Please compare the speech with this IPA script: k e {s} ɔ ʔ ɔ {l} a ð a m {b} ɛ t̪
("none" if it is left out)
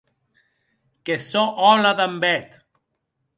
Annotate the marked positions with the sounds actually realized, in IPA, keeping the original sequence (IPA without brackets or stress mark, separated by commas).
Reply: s, l, b